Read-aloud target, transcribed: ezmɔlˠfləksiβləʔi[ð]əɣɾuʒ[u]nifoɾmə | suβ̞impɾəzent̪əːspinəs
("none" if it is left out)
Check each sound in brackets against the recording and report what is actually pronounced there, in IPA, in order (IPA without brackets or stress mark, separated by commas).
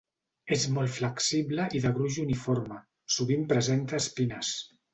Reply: ð, u